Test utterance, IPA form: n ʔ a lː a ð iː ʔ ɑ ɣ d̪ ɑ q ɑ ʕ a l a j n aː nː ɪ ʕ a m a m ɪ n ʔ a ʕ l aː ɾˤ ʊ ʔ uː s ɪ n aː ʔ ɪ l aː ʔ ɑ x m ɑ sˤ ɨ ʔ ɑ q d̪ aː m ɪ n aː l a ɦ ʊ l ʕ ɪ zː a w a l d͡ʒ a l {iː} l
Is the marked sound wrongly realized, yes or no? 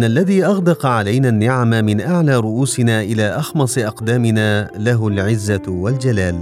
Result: yes